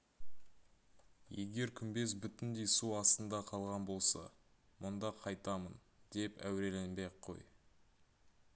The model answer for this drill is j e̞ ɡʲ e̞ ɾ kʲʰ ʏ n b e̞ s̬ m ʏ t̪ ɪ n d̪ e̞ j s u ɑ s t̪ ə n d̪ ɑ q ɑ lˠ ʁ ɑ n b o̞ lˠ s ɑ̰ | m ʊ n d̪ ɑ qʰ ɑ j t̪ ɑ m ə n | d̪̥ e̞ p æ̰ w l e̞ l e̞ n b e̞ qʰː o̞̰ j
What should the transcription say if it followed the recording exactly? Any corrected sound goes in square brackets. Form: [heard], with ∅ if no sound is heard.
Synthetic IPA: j e̞ ɡʲ e̞ ɾ kʲʰ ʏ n b e̞ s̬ [b] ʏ t̪ ɪ n d̪ e̞ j s u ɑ s t̪ ə n d̪ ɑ [qʰ] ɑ lˠ ʁ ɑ n b o̞ lˠ s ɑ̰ | m ʊ n d̪ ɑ qʰ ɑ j t̪ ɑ m ə n | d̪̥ e̞ p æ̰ w [ɾ] e̞ l e̞ n b e̞ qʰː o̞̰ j